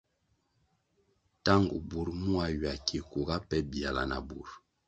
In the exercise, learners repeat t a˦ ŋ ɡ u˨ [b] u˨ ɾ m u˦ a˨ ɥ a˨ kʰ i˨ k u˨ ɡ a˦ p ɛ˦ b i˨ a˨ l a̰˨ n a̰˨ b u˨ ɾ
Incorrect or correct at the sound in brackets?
correct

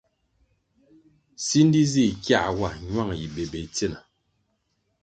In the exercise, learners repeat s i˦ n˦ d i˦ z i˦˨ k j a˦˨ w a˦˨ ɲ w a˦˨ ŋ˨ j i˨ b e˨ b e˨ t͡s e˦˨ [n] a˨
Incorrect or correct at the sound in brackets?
correct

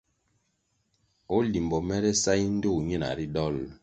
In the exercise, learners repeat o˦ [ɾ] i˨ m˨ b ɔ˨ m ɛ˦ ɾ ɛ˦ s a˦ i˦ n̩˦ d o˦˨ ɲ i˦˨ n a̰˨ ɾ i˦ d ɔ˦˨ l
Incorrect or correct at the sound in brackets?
incorrect: l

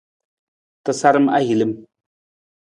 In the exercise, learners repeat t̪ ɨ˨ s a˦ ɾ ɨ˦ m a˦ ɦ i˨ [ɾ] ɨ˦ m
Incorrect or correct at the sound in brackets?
incorrect: l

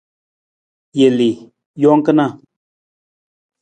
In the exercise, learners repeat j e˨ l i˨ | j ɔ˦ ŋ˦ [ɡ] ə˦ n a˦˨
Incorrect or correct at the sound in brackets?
incorrect: k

